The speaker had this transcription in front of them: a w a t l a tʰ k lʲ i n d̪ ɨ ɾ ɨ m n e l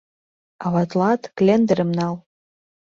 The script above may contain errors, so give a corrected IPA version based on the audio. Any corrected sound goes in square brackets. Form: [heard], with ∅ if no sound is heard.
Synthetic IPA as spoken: a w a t l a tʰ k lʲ [e] n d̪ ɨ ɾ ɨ m n [a] l